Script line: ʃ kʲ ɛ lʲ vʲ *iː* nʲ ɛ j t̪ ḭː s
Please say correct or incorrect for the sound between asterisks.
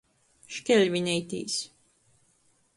incorrect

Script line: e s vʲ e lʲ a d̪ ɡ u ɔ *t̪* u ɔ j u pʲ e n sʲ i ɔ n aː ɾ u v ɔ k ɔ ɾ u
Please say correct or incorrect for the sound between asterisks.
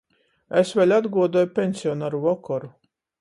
incorrect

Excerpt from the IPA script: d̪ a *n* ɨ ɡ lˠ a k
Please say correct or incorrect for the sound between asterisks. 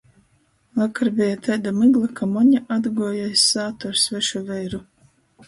incorrect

